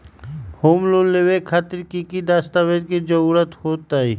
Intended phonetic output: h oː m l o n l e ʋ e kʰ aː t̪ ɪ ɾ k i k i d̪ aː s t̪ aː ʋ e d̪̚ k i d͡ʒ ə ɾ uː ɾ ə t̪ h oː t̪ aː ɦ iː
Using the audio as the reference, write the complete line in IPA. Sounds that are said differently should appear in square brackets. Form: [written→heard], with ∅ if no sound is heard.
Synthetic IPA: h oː m l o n l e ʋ e kʰ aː t̪ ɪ ɾ k i k i d̪ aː s t̪ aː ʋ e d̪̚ k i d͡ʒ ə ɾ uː ɾ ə t̪ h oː t̪ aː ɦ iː